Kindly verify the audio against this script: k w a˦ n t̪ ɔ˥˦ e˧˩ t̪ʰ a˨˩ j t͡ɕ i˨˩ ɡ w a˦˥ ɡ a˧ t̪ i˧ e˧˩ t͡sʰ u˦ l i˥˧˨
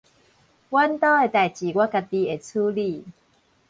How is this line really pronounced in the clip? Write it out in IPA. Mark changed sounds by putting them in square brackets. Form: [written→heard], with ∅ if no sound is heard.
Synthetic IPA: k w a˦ n t̪ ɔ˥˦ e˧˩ [t̪ʰ→t̪] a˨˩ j t͡ɕ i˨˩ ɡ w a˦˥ [ɡ→k] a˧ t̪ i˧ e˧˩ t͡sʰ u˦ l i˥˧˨